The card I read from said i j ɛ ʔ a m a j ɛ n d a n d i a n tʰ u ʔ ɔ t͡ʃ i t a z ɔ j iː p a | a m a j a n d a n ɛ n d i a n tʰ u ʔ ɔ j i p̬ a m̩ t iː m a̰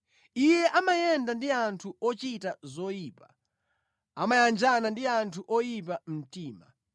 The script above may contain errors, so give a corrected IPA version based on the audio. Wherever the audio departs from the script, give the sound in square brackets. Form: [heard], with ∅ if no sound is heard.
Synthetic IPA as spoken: i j ɛ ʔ a m a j ɛ n d a n d i a n tʰ u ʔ ɔ t͡ʃ i t a z ɔ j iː p a | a m a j a n [d͡ʒ] a n [a] n d i a n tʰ u ʔ ɔ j i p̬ a m̩ t iː m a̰